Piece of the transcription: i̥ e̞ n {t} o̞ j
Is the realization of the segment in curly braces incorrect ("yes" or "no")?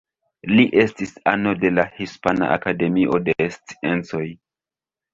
yes